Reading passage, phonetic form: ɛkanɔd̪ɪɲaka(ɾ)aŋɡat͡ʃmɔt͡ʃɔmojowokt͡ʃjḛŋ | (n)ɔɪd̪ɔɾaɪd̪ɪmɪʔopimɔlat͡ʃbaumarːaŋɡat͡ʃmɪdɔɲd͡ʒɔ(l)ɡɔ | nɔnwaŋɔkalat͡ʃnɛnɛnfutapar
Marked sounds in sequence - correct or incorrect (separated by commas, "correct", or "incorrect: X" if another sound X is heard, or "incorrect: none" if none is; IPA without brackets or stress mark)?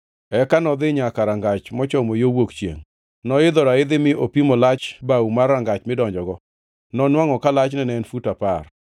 correct, correct, incorrect: none